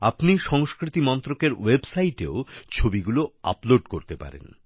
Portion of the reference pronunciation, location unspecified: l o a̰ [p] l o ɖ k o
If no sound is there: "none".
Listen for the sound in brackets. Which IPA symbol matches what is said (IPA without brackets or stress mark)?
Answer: p